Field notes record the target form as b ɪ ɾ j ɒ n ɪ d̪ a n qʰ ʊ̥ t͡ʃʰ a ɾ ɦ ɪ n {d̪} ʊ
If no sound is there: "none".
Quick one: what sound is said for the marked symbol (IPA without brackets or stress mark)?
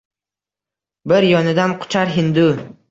d̪